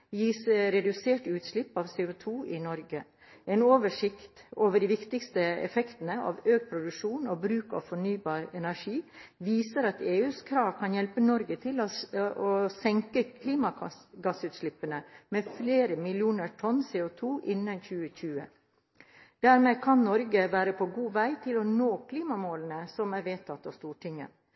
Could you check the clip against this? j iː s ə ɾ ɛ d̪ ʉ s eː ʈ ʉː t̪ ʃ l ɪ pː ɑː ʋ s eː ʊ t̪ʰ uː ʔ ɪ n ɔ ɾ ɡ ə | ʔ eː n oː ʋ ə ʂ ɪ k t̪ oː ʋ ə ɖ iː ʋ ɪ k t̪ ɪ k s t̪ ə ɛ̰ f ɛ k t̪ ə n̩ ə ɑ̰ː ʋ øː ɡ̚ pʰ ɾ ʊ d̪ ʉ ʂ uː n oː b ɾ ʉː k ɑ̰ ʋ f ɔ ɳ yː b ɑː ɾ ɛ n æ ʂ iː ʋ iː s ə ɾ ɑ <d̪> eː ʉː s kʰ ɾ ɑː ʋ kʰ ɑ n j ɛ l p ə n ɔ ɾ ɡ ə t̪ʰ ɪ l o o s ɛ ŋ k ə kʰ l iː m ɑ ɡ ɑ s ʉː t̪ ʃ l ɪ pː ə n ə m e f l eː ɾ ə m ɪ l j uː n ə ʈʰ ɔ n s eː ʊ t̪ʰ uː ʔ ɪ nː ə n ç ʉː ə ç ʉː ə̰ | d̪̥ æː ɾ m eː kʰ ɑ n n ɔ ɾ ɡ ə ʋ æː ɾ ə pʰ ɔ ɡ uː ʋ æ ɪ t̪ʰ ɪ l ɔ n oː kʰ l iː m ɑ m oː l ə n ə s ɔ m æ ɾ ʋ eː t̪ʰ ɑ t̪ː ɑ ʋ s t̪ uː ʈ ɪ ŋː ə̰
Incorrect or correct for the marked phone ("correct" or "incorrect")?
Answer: incorrect